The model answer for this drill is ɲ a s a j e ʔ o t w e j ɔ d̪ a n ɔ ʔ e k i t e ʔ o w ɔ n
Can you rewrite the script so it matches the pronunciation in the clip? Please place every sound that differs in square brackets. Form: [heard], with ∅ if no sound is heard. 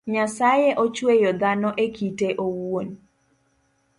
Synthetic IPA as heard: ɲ a s a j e ʔ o [t͡ʃ] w e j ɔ d̪ a n ɔ ʔ e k i t e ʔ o w [o] n